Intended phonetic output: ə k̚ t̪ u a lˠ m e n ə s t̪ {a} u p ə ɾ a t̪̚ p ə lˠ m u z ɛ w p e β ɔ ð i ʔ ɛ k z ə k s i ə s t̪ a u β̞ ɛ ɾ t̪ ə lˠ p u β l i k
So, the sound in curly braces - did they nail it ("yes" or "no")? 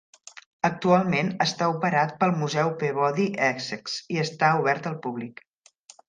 yes